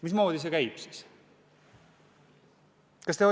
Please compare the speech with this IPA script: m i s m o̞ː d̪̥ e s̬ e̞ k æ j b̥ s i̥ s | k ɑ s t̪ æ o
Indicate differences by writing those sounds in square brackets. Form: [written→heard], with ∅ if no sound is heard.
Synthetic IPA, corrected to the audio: m i s m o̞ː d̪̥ [e→i] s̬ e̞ k æ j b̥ s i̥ s | k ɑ s t̪ [æ→e] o

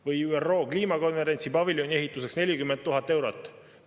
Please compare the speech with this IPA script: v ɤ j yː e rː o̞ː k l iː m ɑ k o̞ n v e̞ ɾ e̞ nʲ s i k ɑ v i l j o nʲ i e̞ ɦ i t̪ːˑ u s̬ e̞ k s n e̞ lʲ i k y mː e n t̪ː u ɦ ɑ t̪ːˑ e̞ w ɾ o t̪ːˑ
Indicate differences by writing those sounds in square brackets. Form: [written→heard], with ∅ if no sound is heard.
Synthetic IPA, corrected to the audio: v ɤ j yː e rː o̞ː k l iː m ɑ k o̞ n v e̞ ɾ e̞ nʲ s i [k→p] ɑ v i l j o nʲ i e̞ ɦ i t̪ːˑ u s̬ e̞ k s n e̞ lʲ i k y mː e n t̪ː u ɦ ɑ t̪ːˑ e̞ w ɾ o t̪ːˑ

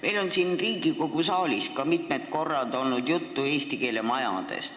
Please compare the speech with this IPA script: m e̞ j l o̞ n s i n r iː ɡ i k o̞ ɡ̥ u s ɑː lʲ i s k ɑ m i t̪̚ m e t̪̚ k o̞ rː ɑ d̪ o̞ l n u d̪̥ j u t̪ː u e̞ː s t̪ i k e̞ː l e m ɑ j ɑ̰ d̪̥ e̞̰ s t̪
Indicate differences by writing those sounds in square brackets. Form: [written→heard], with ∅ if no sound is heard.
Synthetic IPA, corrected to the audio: m e̞ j l o̞ n s i n r iː ɡ i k o̞ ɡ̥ u s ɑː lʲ i s k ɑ m i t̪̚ m e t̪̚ k o̞ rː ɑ d̪ o̞ l n u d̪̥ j u t̪ː u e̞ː s t̪ i k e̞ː l e m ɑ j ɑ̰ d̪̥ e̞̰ s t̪

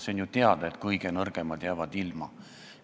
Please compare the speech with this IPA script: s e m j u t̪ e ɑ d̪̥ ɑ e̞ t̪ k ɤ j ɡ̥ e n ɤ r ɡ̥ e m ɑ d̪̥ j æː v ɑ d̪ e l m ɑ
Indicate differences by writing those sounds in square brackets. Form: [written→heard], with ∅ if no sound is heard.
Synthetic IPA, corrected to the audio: s e [m→n] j u t̪ e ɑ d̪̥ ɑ e̞ t̪ k ɤ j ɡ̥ e n ɤ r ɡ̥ e m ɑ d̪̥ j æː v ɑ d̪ [e→i] l m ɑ

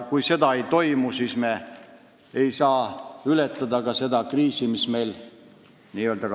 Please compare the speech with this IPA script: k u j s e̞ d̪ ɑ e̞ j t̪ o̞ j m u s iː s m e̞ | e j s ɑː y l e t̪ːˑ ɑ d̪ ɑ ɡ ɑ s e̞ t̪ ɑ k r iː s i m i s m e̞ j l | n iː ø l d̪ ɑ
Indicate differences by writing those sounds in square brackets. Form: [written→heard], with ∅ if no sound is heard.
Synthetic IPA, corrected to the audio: k u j s e̞ d̪ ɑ e̞ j t̪ o̞ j m u s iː s m e̞ | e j s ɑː y l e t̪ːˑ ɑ d̪ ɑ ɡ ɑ s e̞ [t̪→d̪] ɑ k r iː s i m i s m e̞ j l | n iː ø l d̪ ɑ

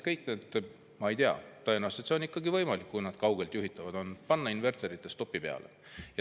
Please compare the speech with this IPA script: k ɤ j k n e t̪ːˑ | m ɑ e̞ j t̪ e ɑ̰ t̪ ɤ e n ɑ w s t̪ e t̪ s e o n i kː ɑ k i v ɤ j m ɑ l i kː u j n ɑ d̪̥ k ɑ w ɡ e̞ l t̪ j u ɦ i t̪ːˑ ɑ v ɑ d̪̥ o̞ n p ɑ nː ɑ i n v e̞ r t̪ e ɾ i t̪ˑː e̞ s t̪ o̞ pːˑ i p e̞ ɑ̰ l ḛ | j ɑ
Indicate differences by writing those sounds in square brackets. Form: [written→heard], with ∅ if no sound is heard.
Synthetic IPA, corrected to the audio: k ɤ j k n e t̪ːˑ | m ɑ e̞ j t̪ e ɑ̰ t̪ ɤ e n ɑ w s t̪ e t̪ s e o n i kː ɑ [k→ɡ] i v ɤ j m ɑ l i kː u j n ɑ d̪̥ k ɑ w ɡ e̞ l t̪ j u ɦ i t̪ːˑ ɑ v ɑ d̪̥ o̞ n p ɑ nː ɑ i n v e̞ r t̪ e ɾ i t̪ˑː e̞ s t̪ o̞ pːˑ i p e̞ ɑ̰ l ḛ | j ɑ

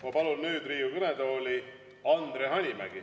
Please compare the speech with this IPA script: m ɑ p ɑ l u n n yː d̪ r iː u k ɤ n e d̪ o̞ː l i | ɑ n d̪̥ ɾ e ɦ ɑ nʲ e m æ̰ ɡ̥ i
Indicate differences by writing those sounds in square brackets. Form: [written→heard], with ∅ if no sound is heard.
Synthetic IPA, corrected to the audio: m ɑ p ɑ l u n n yː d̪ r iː u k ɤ n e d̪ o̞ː l i | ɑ n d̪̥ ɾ e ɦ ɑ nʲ [e→i] m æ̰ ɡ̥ i

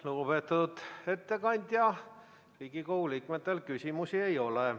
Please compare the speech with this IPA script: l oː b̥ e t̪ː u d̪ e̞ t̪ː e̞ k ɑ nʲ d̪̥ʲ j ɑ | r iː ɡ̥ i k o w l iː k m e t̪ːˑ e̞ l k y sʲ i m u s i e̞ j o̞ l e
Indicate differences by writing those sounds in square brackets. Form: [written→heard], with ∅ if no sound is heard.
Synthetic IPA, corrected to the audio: l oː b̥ e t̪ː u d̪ e̞ t̪ː e̞ k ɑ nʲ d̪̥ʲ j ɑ | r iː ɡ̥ i k o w l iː k m e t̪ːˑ e̞ l k y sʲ i m u s i e̞ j o̞ l e

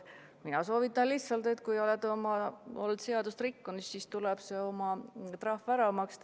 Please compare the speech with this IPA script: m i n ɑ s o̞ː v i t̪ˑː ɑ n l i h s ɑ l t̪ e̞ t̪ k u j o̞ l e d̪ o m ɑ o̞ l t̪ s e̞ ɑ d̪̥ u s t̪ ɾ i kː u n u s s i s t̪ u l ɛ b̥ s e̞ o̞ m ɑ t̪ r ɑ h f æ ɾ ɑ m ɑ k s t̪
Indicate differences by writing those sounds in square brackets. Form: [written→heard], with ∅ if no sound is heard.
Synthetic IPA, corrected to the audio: m i n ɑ s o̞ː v i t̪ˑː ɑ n l i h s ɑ l t̪ e̞ t̪ k u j o̞ l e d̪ o m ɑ o̞ l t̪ s e̞ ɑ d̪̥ u s t̪ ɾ i kː u n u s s i s t̪ u l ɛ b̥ s e̞ o̞ m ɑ t̪ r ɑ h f æ ɾ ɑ m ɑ k s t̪

